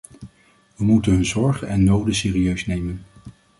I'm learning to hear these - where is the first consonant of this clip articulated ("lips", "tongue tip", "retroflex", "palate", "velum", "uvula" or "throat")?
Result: lips